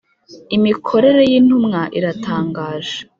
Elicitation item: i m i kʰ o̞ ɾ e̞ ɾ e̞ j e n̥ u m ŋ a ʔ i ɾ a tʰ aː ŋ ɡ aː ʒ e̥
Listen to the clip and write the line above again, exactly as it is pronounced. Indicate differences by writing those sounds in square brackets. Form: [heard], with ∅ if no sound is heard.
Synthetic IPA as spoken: i m i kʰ o̞ ɾ e̞ ɾ e̞ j [i] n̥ u m ŋ a ʔ i ɾ a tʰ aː ŋ ɡ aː ʒ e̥